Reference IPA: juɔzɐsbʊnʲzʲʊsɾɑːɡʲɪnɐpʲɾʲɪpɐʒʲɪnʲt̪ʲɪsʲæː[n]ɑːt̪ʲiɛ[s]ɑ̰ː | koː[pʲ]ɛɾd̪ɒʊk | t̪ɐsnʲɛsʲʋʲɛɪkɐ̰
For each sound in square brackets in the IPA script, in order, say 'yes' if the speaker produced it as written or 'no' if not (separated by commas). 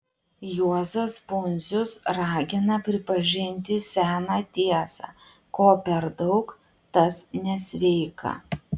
yes, yes, yes